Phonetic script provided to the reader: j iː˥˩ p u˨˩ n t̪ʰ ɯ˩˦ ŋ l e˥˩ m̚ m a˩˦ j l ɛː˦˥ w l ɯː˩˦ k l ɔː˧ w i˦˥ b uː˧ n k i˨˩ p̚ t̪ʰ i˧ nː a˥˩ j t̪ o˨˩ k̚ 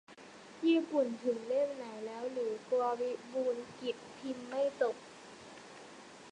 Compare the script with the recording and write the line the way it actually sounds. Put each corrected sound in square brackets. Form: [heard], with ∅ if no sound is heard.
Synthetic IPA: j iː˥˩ p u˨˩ n t̪ʰ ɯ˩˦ ŋ l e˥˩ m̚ [n] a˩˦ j l ɛː˦˥ w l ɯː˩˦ k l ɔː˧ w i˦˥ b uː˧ n k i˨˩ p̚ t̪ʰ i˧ [mː] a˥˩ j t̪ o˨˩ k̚

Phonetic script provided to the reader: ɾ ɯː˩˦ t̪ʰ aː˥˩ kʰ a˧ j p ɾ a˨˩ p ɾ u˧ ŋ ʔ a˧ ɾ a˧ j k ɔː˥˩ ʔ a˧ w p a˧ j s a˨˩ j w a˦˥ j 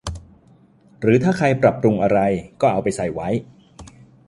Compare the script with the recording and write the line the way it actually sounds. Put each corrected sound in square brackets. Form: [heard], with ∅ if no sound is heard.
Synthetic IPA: ɾ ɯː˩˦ t̪ʰ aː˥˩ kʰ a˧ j p ɾ a˨˩ p ɾ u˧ ŋ ʔ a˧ ɾ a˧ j k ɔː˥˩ ʔ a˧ w p a˧ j s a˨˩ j w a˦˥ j

